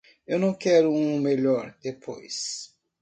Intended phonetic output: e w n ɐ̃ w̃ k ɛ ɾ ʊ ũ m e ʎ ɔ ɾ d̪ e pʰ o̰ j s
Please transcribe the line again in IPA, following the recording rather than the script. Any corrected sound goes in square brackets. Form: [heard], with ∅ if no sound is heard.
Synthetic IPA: e w n ɐ̃ w̃ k ɛ ɾ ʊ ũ m e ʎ ɔ ɾ d̪ e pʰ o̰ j s